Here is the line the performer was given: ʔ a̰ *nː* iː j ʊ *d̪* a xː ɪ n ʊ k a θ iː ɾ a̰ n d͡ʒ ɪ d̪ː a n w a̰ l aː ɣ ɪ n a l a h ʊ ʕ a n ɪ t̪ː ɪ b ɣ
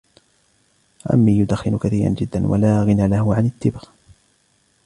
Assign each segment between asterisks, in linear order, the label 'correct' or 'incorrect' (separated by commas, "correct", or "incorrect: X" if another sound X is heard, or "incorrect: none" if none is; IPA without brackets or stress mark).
incorrect: mː, correct